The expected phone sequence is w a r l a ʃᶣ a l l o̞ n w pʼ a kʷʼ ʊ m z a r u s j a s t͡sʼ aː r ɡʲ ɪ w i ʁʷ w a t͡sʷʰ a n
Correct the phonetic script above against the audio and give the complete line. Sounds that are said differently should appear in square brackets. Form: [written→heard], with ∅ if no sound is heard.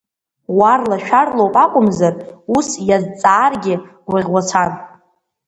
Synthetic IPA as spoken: w a r l a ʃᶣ a [l→r] l o̞ [n→∅] w pʼ a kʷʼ ʊ m z a r u s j a [s→z] t͡sʼ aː r ɡʲ ɪ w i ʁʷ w a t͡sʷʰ a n